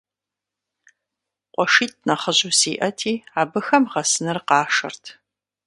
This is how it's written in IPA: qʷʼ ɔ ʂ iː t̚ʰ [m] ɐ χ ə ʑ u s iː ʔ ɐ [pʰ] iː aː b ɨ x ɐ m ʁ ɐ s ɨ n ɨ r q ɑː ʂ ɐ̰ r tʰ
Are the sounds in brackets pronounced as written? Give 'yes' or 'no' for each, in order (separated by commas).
no, no